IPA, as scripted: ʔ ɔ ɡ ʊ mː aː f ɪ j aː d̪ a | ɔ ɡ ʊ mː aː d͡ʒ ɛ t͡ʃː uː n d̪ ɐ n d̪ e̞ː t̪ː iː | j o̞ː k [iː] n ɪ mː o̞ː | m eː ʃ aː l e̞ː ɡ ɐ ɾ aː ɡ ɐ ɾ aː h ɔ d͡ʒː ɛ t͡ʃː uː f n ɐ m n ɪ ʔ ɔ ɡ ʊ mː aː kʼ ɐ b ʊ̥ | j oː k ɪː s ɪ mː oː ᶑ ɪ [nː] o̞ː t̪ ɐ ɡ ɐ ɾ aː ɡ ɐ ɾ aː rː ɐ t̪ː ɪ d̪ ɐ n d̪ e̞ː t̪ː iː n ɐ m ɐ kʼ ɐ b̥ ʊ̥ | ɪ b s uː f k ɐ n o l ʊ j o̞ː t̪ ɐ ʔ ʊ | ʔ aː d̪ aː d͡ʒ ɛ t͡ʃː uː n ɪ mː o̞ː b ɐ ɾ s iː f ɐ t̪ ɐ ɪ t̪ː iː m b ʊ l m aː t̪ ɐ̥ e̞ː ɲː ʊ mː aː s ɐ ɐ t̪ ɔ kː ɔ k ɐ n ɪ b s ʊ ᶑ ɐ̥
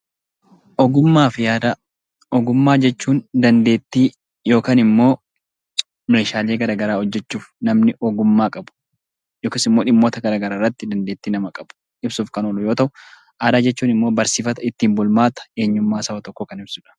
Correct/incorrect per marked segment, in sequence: incorrect: aː, incorrect: mː

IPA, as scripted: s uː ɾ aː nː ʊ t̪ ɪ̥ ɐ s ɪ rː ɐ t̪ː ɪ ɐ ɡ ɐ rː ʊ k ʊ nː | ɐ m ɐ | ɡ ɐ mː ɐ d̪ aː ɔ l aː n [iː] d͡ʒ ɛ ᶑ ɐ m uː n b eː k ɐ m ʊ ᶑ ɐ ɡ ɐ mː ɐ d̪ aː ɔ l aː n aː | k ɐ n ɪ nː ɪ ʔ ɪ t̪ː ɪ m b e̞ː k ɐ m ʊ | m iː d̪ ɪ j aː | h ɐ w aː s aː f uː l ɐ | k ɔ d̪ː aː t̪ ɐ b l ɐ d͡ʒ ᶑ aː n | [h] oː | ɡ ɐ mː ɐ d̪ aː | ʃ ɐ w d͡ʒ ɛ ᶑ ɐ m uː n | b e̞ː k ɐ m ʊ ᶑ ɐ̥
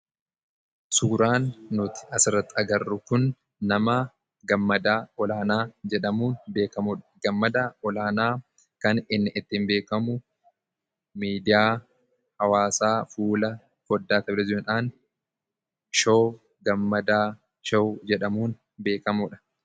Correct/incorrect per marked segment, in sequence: incorrect: aː, incorrect: ʃ

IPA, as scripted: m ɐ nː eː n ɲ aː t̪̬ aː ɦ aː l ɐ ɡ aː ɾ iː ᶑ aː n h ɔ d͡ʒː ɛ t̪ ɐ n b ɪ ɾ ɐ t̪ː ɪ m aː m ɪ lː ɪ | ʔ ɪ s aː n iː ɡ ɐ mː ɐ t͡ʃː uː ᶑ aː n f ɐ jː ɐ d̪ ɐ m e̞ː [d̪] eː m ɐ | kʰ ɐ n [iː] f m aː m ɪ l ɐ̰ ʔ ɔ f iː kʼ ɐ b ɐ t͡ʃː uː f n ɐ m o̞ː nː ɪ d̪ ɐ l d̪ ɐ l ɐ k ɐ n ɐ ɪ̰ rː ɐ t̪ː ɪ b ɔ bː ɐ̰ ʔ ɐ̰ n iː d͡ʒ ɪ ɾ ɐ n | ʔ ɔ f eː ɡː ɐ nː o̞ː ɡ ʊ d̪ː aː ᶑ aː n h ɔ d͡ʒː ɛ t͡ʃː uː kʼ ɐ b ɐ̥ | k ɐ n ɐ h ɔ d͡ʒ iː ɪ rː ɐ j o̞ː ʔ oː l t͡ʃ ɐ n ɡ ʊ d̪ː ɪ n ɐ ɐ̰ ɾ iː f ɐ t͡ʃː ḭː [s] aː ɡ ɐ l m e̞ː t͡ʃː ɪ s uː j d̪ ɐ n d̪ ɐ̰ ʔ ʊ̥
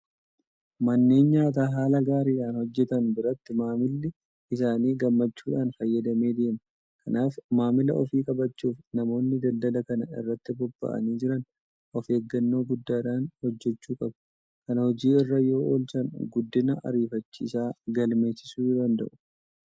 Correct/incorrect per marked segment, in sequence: correct, incorrect: aː, correct

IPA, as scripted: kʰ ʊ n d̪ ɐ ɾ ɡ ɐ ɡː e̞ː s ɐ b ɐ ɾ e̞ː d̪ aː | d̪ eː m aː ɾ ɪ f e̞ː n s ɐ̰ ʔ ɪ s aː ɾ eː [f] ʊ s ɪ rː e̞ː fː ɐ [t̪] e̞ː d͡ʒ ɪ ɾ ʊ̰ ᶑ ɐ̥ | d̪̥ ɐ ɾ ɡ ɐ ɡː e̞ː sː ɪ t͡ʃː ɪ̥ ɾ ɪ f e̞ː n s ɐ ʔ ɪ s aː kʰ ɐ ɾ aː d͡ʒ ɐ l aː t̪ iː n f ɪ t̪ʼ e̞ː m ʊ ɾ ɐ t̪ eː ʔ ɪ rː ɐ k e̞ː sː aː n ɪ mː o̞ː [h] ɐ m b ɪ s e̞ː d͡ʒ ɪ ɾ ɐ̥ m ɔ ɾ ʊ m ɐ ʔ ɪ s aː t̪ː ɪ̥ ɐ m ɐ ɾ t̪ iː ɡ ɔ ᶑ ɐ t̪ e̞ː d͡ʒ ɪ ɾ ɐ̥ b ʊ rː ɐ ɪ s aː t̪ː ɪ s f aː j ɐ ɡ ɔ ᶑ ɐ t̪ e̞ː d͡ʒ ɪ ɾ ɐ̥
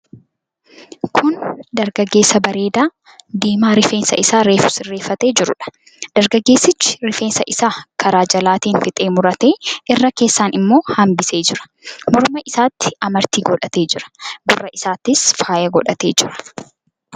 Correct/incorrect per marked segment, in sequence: correct, correct, correct

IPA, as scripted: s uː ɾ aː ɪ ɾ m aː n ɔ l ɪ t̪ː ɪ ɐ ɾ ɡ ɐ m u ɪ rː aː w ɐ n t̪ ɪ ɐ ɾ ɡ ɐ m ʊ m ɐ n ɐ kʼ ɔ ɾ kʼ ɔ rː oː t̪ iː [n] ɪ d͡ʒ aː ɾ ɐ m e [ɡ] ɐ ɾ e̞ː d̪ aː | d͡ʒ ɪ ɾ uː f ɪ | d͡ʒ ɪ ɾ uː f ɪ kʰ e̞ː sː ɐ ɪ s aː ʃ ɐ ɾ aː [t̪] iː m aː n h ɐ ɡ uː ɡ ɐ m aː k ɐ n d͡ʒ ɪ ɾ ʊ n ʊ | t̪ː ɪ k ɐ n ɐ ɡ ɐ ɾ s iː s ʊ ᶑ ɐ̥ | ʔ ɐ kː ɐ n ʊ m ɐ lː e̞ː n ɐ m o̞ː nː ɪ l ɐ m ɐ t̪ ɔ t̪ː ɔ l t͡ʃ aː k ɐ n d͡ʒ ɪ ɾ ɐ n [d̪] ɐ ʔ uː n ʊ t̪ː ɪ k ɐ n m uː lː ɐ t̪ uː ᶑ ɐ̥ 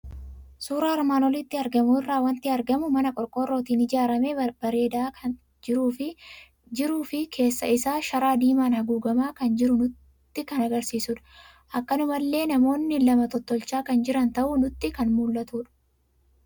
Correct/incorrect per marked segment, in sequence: correct, incorrect: b, incorrect: d̪, incorrect: t̪

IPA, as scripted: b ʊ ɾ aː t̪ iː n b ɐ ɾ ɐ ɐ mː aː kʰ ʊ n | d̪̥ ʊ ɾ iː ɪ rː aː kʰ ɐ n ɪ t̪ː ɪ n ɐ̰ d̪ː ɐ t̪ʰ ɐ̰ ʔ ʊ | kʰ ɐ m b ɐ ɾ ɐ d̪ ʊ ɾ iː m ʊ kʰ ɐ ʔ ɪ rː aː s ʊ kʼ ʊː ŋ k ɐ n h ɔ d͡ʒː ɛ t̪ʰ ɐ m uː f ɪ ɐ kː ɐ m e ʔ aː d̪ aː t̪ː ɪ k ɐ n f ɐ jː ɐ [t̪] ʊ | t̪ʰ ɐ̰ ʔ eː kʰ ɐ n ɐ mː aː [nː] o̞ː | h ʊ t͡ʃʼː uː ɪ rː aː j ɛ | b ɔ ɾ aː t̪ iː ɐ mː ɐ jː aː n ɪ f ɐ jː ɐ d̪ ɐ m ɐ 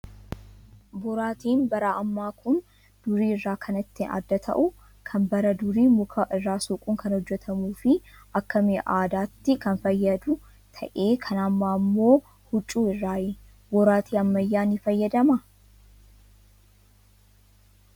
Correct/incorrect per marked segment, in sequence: incorrect: d̪, incorrect: mː

